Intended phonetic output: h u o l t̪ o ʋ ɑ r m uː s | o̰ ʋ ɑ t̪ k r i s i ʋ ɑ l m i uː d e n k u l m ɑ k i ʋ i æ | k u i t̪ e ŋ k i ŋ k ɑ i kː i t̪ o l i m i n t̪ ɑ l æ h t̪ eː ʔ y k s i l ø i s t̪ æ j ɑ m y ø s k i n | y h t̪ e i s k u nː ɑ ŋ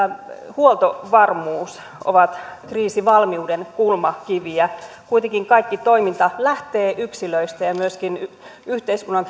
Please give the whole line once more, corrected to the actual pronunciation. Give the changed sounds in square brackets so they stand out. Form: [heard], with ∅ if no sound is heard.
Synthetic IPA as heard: h u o l t̪ o ʋ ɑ r m uː s | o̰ ʋ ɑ t̪ k r [iː] s i ʋ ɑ l m i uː d e n k u l m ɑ k i ʋ i æ | k u i t̪ e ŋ k i ŋ k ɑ i kː i t̪ o [∅] i m i n t̪ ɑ l æ h t̪ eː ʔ y k s i l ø i s t̪ æ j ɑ m y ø s k i n | y h t̪ e i s k u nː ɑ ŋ